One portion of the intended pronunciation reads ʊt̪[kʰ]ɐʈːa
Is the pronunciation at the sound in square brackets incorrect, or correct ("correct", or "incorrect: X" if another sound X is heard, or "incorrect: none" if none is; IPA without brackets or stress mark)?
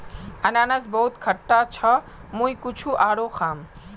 correct